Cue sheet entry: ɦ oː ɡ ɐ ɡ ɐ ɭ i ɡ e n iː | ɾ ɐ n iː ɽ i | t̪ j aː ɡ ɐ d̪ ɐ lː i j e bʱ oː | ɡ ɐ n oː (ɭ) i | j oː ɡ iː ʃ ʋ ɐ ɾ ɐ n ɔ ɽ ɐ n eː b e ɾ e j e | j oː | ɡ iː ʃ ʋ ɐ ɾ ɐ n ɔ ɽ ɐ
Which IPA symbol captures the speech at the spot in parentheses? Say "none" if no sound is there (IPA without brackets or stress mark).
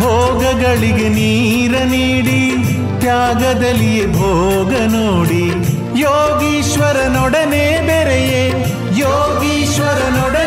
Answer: ɽ